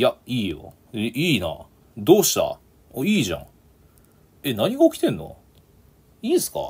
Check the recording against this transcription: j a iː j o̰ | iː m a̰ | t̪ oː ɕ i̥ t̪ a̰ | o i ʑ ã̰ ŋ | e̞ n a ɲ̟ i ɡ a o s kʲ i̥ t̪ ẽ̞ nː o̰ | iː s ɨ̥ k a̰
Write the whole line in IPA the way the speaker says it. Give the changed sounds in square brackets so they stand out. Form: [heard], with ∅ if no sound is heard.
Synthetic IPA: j a iː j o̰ | iː [n] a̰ | [d̪] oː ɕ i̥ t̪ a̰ | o [iː] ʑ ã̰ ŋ | e̞ n a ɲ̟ i ɡ a o [∅] kʲ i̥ t̪ ẽ̞ nː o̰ | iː s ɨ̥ k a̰